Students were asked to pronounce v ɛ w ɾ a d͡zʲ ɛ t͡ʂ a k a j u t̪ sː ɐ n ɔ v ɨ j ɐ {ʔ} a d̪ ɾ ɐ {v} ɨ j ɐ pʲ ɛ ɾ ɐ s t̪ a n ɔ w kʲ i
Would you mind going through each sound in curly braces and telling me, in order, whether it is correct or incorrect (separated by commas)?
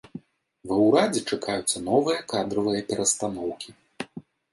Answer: incorrect, correct